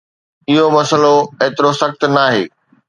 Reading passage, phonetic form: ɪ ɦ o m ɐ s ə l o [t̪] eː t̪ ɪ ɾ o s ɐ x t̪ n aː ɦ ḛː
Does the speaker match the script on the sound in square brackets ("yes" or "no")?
no